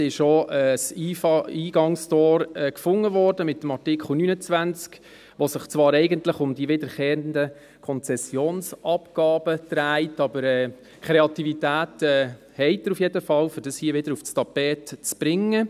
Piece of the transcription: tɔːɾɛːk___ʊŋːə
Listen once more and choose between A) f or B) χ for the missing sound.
A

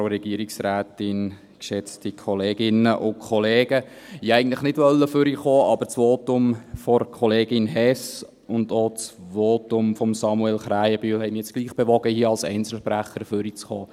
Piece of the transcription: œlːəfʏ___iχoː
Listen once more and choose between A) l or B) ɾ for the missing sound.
B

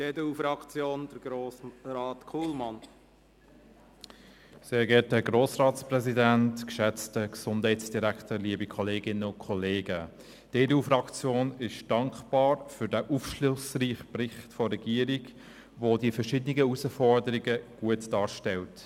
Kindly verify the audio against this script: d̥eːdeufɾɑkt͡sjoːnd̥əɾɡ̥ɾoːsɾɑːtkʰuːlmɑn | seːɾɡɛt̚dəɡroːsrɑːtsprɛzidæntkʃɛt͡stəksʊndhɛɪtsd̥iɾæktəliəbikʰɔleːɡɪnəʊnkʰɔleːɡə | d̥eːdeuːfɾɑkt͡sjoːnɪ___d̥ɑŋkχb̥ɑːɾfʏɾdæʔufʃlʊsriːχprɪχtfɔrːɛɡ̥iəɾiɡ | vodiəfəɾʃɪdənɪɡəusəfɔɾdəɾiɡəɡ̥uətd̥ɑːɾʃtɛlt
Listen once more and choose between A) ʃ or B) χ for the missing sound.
A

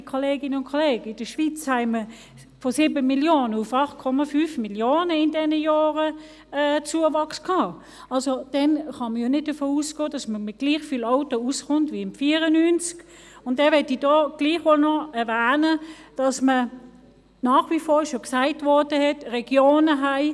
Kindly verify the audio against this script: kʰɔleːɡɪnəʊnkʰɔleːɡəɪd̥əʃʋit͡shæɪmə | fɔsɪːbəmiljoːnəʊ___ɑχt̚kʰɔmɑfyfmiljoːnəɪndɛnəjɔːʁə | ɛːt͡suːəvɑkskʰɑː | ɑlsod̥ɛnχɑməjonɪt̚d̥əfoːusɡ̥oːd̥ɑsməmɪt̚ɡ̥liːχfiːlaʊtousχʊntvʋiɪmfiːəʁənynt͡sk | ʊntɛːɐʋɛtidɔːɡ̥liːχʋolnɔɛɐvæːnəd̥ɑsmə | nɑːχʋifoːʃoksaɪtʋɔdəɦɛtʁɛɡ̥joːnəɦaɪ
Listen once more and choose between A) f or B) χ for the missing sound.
A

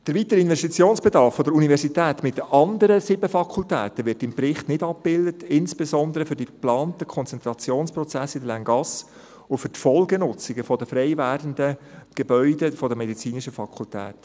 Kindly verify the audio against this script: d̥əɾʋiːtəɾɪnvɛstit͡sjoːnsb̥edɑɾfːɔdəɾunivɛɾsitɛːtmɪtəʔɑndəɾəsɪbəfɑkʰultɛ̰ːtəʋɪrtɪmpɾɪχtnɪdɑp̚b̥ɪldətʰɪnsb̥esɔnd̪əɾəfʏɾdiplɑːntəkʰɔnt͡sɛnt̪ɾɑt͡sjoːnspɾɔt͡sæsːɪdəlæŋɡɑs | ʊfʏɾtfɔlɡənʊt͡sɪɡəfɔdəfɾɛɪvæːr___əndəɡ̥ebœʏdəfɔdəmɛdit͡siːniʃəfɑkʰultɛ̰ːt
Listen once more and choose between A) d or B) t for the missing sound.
A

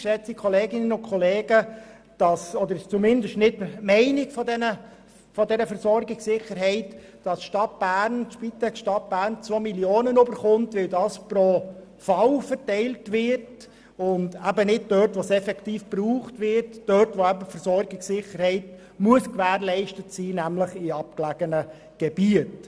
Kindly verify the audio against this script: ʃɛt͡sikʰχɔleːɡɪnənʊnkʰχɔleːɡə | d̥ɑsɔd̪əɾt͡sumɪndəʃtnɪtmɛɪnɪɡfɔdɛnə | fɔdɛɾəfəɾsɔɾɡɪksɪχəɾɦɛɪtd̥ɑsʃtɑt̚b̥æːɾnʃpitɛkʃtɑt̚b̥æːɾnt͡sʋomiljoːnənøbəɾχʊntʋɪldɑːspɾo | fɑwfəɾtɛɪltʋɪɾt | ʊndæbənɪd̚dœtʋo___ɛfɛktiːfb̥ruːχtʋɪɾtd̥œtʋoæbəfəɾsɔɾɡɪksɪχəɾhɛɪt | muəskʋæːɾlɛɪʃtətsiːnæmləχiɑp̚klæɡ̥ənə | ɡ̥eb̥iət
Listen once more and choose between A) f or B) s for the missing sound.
B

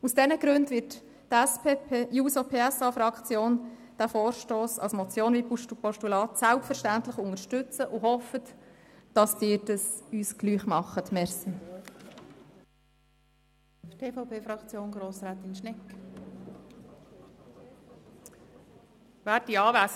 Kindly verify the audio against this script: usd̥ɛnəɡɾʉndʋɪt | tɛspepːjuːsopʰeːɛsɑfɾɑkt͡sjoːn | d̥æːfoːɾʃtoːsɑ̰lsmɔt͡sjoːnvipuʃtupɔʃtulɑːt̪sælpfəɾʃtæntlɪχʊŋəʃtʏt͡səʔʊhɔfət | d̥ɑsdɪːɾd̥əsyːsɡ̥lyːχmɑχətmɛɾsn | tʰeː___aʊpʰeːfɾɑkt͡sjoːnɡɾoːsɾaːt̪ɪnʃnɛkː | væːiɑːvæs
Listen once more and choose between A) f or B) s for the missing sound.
A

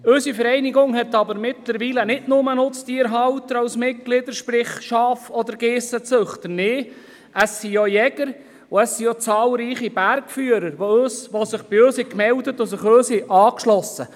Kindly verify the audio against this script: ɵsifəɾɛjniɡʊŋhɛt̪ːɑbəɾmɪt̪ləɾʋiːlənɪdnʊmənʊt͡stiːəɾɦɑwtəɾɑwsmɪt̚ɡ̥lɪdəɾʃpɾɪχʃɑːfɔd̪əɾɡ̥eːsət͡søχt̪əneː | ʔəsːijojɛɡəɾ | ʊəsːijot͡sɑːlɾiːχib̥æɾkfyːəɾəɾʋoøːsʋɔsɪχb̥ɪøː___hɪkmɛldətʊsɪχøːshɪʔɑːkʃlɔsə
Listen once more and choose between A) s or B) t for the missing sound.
A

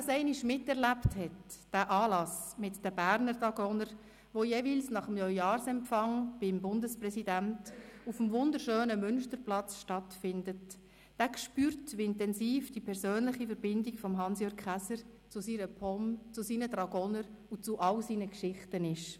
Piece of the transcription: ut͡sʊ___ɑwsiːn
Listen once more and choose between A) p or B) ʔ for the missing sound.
B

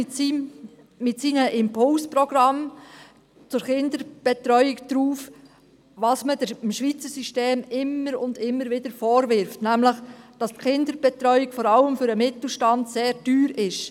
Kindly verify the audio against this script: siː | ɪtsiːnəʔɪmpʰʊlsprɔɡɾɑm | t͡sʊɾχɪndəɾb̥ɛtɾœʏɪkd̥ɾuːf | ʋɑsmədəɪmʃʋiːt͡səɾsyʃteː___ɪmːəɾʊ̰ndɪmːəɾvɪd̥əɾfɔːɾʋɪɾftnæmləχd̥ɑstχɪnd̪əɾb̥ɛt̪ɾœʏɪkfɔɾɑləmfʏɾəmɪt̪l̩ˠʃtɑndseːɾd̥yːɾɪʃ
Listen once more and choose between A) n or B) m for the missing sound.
B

